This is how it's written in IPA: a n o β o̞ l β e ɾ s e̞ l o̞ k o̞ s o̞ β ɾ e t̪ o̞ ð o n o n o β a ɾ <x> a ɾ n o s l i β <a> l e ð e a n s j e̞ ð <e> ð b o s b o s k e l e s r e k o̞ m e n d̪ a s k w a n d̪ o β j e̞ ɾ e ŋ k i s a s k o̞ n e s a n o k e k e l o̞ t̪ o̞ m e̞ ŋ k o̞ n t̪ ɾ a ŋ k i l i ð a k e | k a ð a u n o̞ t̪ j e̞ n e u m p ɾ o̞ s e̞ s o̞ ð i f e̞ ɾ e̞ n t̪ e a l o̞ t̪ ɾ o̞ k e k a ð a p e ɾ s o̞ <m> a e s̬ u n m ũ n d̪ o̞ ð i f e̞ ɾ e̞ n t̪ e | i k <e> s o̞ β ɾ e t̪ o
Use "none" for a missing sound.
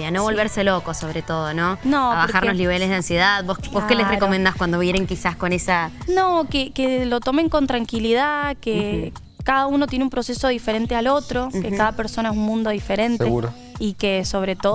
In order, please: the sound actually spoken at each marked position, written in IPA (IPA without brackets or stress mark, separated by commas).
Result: x, e, a, n, e